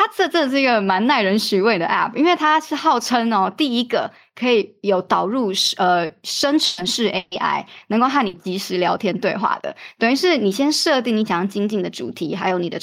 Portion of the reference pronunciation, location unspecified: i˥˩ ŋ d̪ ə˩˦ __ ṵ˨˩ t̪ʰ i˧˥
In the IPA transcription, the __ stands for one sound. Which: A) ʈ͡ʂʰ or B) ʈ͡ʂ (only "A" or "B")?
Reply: B